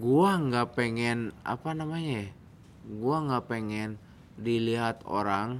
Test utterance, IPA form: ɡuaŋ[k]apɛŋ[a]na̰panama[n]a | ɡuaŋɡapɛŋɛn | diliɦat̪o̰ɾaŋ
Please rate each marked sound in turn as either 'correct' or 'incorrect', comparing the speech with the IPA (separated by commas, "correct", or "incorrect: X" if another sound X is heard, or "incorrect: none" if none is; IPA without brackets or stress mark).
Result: incorrect: ɡ, incorrect: ɛ, incorrect: ɲ